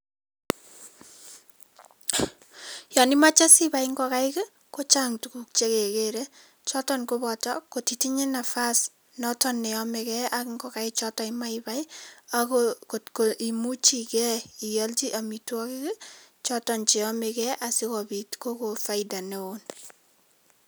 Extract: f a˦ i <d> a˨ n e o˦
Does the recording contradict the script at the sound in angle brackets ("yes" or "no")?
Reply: no